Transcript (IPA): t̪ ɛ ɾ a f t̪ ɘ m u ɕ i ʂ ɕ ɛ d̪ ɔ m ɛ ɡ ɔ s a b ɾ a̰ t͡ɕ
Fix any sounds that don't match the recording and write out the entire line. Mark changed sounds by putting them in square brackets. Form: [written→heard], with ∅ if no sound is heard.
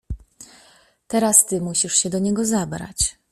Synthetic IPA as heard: t̪ ɛ ɾ a [f→s] t̪ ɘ m u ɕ i ʂ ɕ ɛ d̪ ɔ [m→ɲ] ɛ ɡ ɔ [s→z] a b ɾ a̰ t͡ɕ